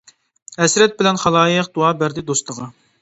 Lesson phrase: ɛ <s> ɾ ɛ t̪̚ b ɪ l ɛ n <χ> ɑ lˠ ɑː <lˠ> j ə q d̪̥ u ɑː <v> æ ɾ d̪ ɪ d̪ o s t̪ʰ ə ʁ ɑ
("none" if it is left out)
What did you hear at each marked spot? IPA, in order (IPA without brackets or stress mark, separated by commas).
s, χ, none, b